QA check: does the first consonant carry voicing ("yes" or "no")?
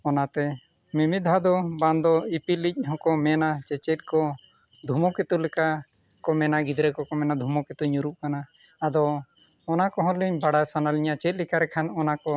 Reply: yes